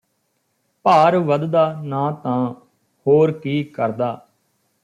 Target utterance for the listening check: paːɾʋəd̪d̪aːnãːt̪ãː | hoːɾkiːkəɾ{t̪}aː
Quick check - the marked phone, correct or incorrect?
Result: incorrect